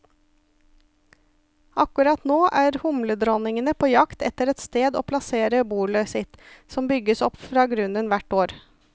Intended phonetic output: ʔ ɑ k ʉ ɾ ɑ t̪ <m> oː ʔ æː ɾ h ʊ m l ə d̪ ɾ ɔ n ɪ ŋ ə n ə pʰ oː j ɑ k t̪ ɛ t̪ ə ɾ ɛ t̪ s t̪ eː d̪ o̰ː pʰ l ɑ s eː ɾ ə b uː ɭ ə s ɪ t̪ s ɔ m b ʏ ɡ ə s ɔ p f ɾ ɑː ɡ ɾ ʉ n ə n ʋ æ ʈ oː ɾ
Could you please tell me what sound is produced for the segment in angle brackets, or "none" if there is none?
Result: n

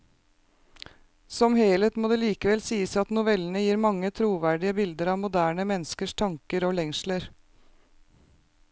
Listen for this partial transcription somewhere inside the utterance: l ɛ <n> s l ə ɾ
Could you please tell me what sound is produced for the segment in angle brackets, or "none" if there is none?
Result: ŋ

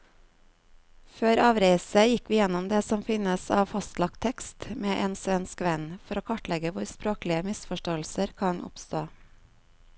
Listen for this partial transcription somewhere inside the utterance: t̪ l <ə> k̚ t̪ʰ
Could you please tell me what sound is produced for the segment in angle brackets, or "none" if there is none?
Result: ɑ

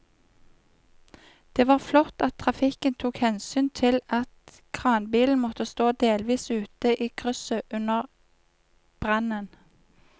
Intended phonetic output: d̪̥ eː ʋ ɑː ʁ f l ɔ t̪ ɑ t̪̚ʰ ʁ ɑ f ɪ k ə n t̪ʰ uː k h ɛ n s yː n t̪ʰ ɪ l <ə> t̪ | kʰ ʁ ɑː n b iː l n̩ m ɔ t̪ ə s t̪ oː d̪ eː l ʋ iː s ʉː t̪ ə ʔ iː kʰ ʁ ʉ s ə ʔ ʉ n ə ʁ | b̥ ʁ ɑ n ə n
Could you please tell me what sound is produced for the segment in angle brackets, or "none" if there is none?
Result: ɑ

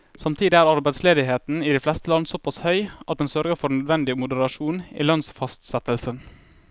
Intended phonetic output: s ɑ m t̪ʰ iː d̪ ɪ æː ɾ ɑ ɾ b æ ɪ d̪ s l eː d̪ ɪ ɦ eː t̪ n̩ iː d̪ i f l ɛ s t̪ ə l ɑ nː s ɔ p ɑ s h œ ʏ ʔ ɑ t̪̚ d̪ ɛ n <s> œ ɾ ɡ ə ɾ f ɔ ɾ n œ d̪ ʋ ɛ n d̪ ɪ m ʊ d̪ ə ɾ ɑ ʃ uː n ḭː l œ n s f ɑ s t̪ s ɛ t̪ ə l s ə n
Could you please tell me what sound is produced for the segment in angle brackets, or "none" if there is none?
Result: s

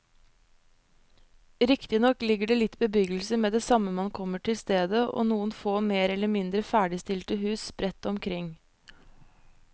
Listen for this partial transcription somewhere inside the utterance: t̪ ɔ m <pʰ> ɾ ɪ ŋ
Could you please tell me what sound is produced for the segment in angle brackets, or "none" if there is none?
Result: kʰ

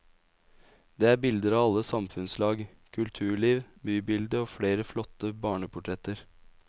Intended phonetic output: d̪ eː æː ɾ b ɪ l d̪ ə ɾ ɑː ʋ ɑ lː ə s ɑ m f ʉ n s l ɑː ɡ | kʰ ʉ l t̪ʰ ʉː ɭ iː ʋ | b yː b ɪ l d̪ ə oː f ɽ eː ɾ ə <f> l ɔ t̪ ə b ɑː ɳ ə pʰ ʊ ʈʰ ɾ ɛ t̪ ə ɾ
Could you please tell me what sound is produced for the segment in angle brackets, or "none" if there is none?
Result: f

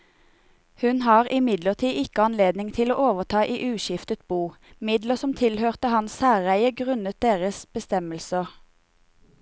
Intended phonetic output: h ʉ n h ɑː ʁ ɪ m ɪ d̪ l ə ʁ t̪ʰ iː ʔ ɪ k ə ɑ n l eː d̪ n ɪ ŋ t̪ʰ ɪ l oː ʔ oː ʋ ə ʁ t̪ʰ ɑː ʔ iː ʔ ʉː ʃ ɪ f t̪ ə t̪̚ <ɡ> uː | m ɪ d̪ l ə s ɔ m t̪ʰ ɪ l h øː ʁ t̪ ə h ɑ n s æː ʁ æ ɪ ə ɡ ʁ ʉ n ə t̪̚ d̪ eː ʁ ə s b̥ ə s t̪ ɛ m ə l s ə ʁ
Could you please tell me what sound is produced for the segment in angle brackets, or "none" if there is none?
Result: b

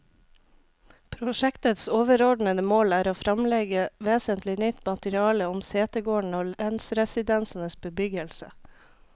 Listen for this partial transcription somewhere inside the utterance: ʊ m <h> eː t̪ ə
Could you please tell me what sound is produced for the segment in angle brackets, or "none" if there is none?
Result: s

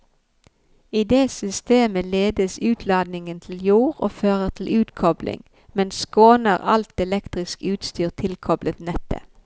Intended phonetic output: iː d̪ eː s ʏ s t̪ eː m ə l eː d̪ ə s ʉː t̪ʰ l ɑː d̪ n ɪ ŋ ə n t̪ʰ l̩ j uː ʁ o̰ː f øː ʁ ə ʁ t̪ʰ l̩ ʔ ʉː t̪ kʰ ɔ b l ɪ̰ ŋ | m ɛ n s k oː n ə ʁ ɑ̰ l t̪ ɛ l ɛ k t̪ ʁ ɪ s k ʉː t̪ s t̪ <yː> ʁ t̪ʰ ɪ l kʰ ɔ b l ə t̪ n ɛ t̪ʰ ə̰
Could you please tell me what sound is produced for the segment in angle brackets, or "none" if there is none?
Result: yː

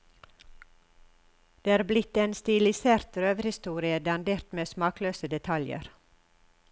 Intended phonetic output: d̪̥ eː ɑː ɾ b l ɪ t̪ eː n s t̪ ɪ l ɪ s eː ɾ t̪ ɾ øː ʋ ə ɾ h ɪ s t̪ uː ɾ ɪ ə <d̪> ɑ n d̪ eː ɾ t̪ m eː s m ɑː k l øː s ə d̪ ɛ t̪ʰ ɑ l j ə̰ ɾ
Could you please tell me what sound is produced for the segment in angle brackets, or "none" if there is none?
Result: d̪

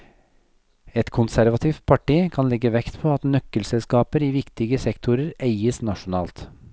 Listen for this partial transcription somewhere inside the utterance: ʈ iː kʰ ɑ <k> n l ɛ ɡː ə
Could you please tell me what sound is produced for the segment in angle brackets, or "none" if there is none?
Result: none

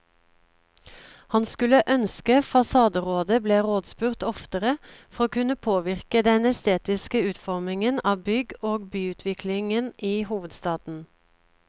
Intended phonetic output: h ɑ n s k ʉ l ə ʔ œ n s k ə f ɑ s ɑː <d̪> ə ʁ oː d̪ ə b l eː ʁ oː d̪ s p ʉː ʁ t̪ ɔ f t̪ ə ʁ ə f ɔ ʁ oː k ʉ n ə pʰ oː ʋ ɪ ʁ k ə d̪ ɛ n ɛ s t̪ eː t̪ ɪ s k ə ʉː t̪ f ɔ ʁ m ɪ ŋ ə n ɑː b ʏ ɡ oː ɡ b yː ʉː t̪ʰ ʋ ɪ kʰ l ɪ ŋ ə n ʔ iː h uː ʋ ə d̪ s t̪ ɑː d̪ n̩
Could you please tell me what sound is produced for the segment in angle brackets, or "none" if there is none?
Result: d̪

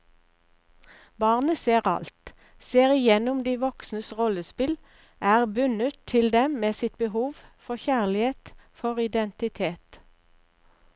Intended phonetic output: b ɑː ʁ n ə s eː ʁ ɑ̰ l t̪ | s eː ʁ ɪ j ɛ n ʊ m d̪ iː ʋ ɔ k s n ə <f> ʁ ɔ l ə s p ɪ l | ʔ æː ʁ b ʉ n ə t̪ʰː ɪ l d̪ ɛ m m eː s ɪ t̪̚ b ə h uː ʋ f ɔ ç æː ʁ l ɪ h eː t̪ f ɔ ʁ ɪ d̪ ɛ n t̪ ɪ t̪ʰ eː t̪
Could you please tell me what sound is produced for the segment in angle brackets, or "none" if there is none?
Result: s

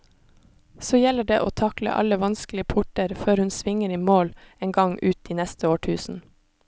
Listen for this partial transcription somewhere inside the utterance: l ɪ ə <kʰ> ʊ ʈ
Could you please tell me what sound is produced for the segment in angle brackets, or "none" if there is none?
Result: pʰ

